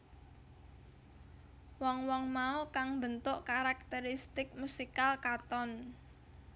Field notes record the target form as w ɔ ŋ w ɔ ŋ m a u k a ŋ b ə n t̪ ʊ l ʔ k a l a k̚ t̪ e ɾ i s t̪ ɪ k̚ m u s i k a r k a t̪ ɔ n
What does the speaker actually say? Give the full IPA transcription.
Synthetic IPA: w ɔ ŋ w ɔ ŋ m a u k a ŋ b ə n t̪ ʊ ʔ k a ɾ a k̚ t̪ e ɾ i s t̪ ɪ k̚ m u s i k a l k a t̪ ɔ n